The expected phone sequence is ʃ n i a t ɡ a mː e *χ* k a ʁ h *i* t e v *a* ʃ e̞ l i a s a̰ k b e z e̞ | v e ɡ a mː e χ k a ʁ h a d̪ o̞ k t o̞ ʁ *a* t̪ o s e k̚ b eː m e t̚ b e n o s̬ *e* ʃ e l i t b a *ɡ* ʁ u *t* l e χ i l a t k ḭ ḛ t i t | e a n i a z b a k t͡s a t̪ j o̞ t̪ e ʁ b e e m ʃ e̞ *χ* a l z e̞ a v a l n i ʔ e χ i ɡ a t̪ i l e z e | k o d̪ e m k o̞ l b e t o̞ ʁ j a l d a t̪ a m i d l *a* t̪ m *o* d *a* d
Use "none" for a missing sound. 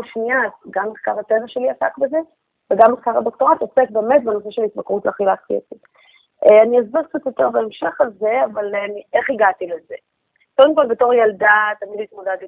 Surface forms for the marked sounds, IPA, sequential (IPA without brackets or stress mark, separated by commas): χ, a, a, a, e, k, t, χ, i, o, a